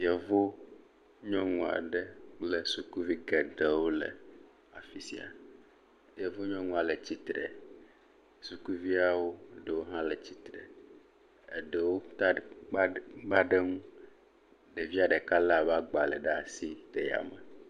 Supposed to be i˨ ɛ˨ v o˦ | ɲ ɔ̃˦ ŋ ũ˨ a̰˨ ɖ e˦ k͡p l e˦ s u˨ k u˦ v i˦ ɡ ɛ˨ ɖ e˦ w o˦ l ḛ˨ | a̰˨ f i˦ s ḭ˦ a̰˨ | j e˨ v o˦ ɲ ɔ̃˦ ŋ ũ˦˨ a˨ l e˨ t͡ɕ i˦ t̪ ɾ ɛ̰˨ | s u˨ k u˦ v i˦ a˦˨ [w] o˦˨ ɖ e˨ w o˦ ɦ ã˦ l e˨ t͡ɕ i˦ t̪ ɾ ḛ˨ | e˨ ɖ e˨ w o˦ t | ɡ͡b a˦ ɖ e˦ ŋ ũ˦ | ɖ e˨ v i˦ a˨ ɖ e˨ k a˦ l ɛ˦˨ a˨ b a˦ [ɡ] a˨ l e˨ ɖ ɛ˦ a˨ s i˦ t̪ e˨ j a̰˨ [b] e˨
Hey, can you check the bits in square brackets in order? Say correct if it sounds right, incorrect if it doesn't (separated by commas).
correct, incorrect, incorrect